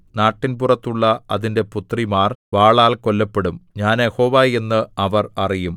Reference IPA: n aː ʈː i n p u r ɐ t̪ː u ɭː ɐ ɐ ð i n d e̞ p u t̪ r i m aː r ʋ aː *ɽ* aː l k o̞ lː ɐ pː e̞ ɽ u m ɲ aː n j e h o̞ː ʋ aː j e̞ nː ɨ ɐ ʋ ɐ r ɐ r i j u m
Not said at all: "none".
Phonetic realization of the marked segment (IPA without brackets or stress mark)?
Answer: ɭ